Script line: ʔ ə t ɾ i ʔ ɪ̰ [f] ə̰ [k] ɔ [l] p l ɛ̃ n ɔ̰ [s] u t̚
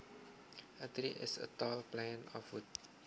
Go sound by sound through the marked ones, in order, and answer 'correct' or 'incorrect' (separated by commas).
incorrect, incorrect, correct, incorrect